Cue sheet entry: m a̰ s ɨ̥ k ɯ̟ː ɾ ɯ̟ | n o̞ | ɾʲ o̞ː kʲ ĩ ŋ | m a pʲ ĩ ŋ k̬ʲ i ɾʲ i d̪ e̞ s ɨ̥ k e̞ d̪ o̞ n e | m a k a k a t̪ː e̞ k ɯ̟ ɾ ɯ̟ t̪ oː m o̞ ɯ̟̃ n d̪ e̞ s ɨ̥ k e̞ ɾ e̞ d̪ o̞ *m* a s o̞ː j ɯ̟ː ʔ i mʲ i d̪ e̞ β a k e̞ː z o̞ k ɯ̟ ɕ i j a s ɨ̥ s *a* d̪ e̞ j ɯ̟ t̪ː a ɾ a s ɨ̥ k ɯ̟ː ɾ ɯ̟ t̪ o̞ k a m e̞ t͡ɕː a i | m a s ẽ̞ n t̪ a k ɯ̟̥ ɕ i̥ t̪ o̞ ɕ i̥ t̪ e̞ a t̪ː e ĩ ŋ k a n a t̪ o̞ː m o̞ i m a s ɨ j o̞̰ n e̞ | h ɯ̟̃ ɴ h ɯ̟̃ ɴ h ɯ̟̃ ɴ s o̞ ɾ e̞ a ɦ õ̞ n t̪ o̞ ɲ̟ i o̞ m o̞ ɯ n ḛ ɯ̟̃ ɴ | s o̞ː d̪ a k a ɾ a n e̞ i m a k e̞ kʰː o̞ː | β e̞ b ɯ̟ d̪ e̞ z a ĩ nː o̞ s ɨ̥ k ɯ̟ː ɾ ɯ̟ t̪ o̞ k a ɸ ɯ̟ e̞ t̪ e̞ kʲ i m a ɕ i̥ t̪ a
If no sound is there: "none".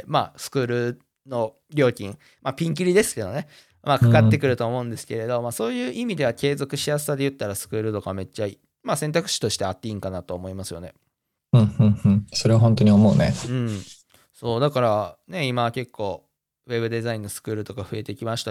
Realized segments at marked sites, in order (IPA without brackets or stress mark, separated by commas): m, a